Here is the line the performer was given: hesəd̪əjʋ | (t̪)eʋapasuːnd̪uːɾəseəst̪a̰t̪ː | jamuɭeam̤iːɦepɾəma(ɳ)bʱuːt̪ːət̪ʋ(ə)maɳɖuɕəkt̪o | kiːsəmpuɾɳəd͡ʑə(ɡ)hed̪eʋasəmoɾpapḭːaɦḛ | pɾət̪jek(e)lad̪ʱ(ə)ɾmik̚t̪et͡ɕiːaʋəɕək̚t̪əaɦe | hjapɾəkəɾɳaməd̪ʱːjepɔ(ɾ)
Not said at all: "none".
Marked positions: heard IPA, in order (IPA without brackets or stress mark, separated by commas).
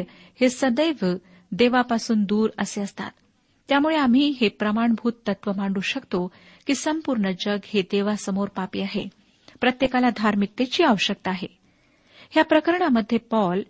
d̪, ɳ, ə, ɡ, a, a, l